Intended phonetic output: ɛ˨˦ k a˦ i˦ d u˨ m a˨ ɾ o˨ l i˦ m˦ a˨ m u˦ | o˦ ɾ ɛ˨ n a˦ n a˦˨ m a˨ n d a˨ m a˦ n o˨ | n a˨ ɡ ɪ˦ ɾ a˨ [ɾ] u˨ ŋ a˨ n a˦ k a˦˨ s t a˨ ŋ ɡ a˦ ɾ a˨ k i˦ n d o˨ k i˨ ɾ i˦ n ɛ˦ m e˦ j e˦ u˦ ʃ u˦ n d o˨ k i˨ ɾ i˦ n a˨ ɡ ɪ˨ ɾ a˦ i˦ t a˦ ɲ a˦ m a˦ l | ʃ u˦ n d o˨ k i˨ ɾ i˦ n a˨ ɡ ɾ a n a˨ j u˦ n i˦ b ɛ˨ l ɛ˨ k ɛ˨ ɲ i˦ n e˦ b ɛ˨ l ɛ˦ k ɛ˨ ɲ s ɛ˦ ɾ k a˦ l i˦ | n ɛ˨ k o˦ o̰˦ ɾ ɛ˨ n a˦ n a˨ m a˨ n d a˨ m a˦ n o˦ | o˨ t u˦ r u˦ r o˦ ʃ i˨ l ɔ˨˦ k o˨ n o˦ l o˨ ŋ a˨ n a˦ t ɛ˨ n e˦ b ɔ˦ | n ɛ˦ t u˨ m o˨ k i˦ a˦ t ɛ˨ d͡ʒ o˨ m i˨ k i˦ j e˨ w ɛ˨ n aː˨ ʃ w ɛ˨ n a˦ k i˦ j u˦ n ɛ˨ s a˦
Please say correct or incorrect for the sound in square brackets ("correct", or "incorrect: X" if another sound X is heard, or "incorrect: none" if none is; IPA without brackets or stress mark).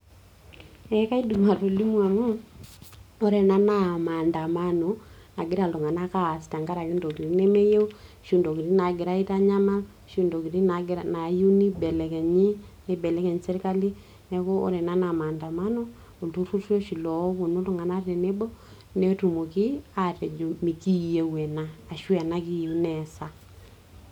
incorrect: l